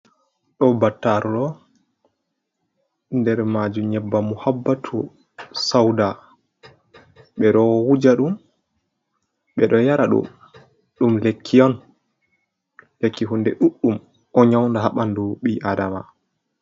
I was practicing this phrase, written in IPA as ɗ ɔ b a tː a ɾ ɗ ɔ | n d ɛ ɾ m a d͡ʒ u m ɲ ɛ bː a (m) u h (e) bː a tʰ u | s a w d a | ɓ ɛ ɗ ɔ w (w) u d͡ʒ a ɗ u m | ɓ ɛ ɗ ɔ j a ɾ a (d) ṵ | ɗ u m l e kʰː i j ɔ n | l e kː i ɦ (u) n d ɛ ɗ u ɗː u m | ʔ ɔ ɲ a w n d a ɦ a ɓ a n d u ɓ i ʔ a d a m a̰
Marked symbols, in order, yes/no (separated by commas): yes, no, yes, no, yes